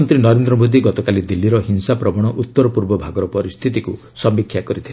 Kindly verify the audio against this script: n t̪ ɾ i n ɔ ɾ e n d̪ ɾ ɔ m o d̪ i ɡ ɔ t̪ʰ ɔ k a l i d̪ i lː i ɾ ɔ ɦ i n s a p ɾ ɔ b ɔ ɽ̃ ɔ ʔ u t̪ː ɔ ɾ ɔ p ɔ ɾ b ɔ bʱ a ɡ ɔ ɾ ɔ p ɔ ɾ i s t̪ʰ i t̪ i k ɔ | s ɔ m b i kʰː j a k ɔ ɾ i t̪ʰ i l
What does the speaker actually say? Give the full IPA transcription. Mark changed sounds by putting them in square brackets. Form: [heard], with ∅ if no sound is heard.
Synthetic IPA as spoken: n t̪ ɾ i n ɔ ɾ e n d̪ ɾ ɔ m o d̪ i ɡ ɔ [t̪] ɔ k a l i d̪ i lː i ɾ ɔ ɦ i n s a p ɾ ɔ b ɔ ɽ̃ ɔ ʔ u t̪ː ɔ ɾ ɔ p [u] ɾ b ɔ bʱ a ɡ ɔ ɾ ɔ p ɔ ɾ i s t̪ʰ i t̪ i k [u] | s ɔ m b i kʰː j a k ɔ ɾ i t̪ʰ i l

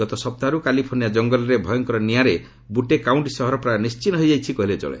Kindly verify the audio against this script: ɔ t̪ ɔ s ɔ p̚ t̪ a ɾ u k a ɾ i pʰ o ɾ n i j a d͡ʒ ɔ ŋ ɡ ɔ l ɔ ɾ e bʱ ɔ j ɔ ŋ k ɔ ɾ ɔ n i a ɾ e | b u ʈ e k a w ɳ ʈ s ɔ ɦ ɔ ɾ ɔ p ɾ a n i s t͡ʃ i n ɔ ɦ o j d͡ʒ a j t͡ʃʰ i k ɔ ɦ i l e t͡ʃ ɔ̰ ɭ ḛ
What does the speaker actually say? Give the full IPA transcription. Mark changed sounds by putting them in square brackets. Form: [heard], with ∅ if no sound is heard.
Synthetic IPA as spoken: ɔ t̪ ɔ s ɔ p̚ t̪ a ɾ u k a [l] i pʰ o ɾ n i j a d͡ʒ ɔ ŋ ɡ ɔ l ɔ ɾ e bʱ ɔ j ɔ ŋ k ɔ ɾ ɔ n i a ɾ e | b u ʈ e k a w ɳ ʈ s ɔ ɦ ɔ ɾ ɔ p ɾ a n i s t͡ʃ i n ɔ ɦ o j d͡ʒ a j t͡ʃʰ i k ɔ ɦ i l e t͡ʃ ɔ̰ ɭ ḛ

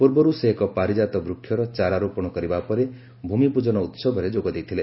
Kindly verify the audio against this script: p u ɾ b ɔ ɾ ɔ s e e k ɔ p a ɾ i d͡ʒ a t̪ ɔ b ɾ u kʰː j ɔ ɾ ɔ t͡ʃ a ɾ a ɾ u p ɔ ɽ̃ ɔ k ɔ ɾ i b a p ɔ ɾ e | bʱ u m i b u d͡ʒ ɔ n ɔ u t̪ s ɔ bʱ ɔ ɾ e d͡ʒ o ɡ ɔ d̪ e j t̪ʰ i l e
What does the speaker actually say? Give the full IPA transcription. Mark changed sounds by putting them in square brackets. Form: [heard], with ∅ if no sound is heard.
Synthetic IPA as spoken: p u ɾ b ɔ ɾ [u] s e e k ɔ p a ɾ i d͡ʒ a t̪ ɔ b ɾ u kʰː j ɔ ɾ ɔ t͡ʃ a ɾ a ɾ u p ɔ ɽ̃ ɔ k ɔ ɾ i b a p ɔ ɾ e | bʱ u m i [p] u d͡ʒ ɔ n ɔ u t̪ s ɔ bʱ ɔ ɾ e d͡ʒ o ɡ ɔ d̪ e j t̪ʰ i l e

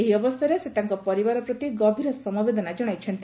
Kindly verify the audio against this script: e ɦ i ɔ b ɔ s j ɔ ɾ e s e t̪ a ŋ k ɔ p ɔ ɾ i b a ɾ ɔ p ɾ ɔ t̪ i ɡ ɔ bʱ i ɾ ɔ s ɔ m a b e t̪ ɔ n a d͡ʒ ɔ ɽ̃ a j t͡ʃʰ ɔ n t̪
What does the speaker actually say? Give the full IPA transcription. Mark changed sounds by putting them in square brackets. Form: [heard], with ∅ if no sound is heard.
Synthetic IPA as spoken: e ɦ i ɔ b ɔ s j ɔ ɾ e s e t̪ a ŋ k ɔ p ɔ ɾ i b a ɾ ɔ p ɾ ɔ t̪ i ɡ ɔ bʱ i ɾ ɔ s ɔ m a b e [d̪] ɔ n a d͡ʒ ɔ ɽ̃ a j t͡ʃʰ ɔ n t̪

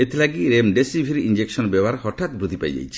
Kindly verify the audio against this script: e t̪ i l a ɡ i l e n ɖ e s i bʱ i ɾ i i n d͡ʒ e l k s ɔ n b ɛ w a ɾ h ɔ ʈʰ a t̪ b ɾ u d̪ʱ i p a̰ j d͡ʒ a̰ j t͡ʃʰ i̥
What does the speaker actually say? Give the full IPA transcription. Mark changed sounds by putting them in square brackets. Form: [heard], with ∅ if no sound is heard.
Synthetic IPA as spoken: e t̪ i l a ɡ i [ɾ] e [m] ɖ e s i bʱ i ɾ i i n d͡ʒ e [∅] k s ɔ n b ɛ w a ɾ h ɔ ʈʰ a t̪ b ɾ u d̪ʱ i p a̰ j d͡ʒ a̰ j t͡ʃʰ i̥

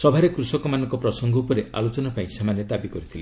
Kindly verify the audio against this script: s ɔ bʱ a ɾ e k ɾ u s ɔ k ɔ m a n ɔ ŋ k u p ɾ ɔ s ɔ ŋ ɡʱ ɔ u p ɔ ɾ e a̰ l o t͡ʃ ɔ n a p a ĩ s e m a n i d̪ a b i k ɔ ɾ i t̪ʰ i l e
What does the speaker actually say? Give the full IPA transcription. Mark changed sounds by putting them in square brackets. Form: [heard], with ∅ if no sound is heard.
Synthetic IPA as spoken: s ɔ bʱ a ɾ e k ɾ u s ɔ k ɔ m a n ɔ ŋ k [ɔ] p ɾ ɔ s ɔ ŋ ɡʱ ɔ u p ɔ ɾ e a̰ l o t͡ʃ ɔ n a p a ĩ s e m a n [e] d̪ a b i k ɔ ɾ i t̪ʰ i l e

